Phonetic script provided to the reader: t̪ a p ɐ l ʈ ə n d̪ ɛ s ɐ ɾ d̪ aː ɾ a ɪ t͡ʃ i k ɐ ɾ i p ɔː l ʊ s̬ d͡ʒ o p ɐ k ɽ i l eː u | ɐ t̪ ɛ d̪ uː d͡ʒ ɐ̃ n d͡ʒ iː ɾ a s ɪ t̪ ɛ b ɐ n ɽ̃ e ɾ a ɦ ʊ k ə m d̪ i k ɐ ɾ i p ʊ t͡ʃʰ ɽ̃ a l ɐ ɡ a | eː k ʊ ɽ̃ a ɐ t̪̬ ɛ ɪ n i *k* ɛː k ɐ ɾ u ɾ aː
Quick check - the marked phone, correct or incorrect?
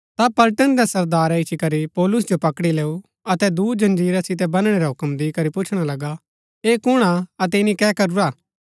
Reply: correct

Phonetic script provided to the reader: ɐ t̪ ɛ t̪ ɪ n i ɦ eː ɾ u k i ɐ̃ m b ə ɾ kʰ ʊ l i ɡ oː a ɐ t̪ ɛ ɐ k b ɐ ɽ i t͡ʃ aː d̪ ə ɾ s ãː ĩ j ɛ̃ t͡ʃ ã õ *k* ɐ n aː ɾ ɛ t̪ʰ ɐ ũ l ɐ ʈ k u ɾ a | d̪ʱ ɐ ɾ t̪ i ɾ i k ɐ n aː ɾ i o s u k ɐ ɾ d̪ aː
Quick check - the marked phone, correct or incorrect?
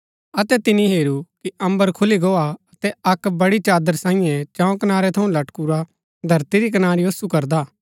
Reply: correct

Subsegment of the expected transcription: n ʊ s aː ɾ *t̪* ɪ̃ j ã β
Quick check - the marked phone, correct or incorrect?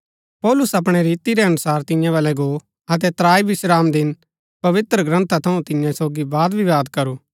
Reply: correct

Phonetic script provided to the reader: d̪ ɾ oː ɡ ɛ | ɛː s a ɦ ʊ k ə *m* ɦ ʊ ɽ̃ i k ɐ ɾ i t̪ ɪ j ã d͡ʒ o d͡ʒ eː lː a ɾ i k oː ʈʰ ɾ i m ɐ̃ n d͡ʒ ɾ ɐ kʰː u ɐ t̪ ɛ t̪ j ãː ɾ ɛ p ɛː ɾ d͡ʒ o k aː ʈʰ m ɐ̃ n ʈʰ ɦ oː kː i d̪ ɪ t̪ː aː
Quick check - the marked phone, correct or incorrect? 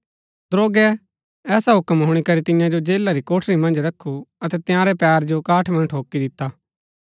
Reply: correct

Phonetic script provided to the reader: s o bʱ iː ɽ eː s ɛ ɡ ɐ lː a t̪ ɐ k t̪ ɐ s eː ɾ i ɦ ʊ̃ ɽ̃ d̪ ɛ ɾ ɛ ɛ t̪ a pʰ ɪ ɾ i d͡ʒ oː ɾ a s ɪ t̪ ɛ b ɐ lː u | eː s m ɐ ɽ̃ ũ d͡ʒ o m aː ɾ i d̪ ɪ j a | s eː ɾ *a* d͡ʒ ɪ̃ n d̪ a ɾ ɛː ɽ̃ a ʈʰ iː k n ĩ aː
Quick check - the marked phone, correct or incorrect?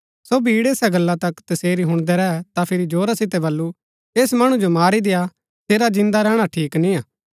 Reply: correct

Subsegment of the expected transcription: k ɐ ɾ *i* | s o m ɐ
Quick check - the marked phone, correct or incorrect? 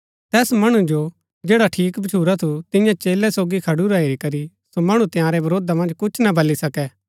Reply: correct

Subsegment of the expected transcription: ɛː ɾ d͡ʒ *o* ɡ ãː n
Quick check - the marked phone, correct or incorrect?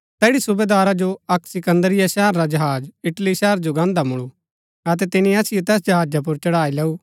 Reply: correct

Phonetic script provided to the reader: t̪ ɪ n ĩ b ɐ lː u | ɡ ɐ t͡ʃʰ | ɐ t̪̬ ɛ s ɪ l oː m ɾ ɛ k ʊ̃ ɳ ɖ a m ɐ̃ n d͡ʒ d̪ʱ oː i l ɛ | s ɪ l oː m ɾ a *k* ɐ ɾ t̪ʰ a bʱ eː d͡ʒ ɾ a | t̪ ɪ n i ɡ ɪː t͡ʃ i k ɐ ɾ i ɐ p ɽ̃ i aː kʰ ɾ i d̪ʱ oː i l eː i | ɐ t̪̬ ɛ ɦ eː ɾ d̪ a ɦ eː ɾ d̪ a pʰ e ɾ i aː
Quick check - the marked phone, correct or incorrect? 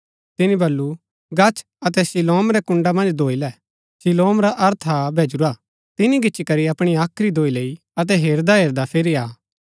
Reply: incorrect: ʔ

